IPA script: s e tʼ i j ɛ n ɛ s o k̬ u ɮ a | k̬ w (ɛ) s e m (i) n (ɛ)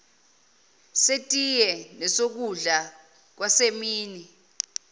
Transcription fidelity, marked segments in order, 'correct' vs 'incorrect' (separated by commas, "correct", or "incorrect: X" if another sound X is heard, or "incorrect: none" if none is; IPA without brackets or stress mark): incorrect: a, incorrect: iː, incorrect: i